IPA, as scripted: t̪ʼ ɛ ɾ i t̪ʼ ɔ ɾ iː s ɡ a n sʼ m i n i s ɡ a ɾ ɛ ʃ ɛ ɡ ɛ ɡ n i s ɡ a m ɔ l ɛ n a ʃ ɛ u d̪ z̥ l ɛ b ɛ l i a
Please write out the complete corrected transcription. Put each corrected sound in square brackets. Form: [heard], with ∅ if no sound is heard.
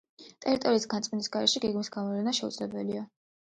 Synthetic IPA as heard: t̪ʼ ɛ ɾ i t̪ʼ ɔ ɾ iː s ɡ a n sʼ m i n i s ɡ a ɾ ɛ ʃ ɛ ɡ ɛ ɡ [m] i s ɡ a m ɔ l ɛ n a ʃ ɛ u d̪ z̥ l ɛ b ɛ l i a